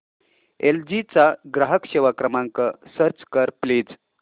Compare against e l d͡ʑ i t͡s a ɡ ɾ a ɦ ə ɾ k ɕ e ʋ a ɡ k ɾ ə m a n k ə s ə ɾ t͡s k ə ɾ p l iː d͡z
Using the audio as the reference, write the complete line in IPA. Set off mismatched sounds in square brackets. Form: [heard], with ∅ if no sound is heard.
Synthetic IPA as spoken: e l d͡ʑ i t͡s a ɡ ɾ a ɦ ə [∅] k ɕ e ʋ a [∅] k ɾ ə m a [ŋ] k ə s ə ɾ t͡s k ə ɾ p l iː d͡z